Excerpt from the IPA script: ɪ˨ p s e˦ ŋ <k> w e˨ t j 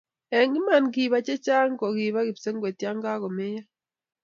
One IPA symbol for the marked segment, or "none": ɡ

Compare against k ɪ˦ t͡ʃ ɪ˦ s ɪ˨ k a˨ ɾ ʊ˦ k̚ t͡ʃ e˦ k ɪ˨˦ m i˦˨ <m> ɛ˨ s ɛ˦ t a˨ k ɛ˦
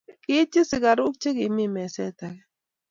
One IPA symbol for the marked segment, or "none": m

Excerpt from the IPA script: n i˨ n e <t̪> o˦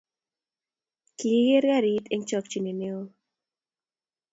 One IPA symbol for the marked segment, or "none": none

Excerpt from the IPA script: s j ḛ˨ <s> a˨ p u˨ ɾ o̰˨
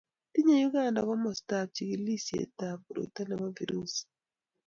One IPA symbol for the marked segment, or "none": t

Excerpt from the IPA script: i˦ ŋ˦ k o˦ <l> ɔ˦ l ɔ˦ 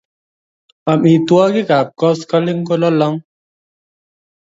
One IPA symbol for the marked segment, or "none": l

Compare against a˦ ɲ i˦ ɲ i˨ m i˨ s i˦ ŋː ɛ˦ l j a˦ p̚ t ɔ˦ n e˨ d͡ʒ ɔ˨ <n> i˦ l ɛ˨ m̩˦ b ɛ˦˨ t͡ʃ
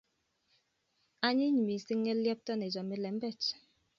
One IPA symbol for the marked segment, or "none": m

